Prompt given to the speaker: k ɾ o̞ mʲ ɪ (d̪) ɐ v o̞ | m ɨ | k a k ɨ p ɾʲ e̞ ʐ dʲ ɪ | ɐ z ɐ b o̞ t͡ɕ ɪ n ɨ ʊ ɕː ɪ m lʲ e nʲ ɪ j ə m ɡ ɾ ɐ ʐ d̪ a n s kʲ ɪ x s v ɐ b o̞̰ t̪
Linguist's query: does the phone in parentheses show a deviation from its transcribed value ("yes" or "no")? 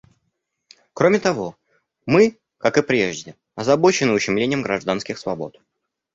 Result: yes